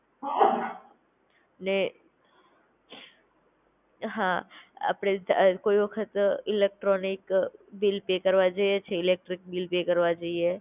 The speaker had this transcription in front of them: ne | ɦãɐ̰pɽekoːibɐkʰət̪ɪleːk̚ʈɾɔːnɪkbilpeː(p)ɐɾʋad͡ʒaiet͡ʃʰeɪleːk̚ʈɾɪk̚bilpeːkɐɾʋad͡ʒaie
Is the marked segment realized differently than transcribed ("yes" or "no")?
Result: yes